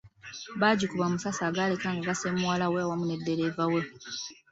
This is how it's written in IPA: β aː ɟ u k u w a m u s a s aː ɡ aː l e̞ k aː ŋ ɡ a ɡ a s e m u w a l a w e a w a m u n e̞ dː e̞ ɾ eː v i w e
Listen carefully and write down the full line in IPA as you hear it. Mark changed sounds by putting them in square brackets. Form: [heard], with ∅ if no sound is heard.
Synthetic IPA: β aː ɟ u k u [β] a m u s a s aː ɡ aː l e̞ k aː ŋ ɡ a ɡ a s e m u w a l a w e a w a m u n e̞ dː e̞ ɾ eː v [a] w e